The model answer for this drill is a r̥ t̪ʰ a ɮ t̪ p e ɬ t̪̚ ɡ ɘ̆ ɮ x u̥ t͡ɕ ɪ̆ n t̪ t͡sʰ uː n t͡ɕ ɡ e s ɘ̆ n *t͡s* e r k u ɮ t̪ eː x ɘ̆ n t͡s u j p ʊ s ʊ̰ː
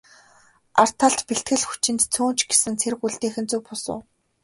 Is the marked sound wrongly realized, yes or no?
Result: yes